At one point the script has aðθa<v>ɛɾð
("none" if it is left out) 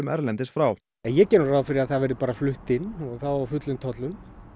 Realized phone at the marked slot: v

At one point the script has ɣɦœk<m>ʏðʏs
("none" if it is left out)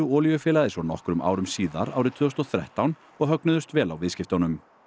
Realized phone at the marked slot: n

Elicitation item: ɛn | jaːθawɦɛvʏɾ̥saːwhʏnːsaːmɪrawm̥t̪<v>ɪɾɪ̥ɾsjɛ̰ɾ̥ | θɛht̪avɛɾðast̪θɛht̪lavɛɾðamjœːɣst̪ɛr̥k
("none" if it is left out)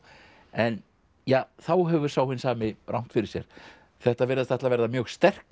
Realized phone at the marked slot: f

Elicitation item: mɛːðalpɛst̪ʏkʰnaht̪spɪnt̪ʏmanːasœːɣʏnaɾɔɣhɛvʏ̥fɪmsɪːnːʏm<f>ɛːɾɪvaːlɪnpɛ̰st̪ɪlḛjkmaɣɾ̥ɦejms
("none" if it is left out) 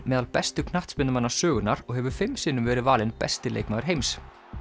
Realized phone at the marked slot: v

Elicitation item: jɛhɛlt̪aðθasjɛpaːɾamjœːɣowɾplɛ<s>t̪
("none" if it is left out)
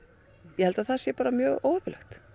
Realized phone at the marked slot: x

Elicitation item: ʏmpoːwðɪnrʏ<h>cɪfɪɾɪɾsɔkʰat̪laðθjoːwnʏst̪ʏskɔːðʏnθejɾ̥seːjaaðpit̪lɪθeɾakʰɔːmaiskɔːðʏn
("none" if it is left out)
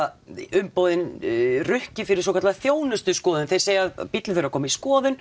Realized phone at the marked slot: h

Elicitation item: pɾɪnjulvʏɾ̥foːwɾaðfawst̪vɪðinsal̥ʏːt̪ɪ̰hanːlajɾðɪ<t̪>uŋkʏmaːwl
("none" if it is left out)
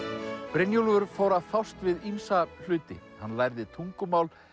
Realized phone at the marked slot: t̪ʰ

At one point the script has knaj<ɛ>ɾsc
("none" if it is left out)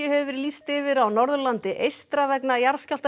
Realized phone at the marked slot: a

